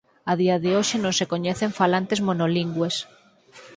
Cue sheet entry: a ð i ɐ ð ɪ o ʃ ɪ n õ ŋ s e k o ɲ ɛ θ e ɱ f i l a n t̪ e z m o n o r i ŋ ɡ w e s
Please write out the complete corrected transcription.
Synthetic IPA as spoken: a ð i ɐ ð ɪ o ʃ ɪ n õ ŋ s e k o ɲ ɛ θ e ɱ f a l a n t̪ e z m o n o l i ŋ ɡ w e s